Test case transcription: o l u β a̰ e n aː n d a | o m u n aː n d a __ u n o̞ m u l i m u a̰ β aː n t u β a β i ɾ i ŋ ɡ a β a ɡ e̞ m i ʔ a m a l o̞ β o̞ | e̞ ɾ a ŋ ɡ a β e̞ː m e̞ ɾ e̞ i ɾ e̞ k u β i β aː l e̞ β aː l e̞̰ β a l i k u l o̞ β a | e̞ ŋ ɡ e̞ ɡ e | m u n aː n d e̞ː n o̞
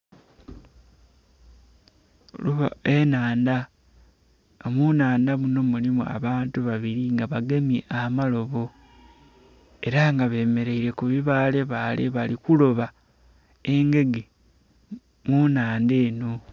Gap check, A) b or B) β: B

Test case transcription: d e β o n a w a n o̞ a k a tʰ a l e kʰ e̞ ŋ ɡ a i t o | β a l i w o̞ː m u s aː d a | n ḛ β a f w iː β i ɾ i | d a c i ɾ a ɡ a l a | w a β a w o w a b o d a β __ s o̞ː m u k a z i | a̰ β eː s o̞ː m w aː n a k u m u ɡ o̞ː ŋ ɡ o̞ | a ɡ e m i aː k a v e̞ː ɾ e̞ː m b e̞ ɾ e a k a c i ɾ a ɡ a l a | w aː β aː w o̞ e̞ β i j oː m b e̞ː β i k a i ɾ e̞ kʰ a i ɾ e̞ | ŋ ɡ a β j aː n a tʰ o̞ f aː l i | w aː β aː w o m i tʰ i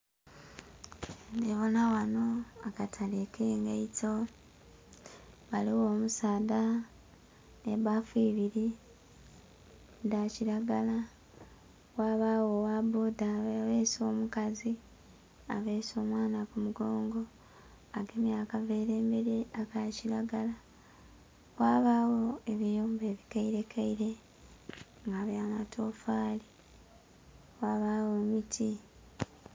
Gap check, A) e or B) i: A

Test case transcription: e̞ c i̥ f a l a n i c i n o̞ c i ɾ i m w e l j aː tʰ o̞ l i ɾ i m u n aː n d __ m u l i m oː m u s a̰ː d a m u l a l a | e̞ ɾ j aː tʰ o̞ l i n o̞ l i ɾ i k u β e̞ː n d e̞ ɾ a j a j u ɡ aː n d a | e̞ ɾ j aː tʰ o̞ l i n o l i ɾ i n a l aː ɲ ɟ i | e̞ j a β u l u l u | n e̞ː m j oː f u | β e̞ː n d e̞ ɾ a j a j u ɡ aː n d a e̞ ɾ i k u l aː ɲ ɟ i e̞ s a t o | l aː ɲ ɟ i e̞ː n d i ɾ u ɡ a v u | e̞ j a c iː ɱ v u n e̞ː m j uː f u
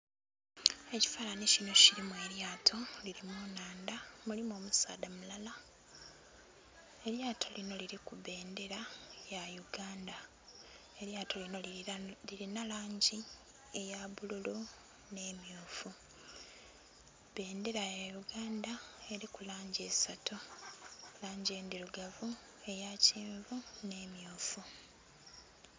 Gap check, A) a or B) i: A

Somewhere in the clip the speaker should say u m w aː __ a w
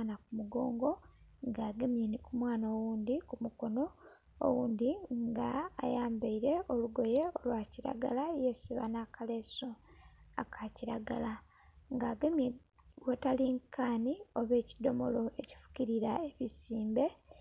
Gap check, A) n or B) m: A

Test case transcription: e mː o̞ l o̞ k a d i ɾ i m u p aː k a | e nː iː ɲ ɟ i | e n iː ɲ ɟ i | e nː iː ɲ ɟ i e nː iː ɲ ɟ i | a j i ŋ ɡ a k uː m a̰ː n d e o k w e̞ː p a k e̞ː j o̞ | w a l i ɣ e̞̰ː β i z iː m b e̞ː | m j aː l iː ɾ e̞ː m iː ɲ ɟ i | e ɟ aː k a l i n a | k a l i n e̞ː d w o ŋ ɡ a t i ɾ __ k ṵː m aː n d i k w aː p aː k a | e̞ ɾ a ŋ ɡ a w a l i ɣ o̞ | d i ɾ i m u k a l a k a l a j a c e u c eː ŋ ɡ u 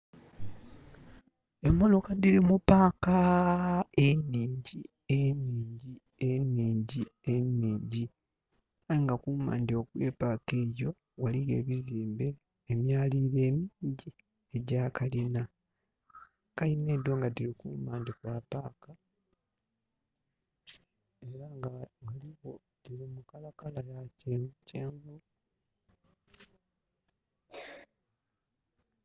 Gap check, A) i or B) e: A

